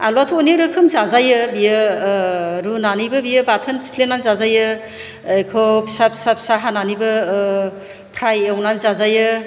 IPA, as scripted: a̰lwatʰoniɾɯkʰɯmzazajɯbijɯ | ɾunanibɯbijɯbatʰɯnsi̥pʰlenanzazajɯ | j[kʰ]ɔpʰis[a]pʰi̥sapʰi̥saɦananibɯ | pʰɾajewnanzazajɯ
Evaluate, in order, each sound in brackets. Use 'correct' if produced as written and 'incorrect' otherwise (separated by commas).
correct, correct